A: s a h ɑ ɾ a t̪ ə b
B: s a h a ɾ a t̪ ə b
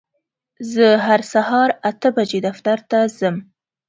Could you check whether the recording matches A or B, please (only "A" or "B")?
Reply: A